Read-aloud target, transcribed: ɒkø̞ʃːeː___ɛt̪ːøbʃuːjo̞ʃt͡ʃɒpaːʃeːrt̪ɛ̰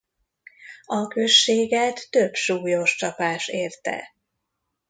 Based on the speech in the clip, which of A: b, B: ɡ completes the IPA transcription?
B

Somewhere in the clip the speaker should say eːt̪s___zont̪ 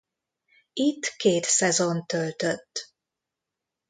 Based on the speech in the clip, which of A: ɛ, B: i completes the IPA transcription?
A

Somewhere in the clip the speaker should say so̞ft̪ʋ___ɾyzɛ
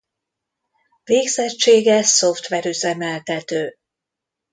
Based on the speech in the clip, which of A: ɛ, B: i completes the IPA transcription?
A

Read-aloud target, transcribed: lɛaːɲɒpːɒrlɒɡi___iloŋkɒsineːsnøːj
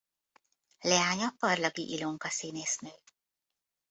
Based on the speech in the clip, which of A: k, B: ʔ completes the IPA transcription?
B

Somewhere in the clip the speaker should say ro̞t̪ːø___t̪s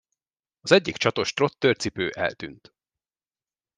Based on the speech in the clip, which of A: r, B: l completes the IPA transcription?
A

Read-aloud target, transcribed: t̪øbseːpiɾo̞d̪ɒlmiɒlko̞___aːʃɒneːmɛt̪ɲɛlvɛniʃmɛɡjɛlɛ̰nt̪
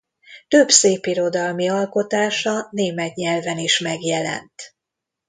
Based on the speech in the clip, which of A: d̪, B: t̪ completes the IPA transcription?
B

